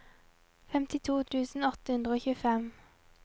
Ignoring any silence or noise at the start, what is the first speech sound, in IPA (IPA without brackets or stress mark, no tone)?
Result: f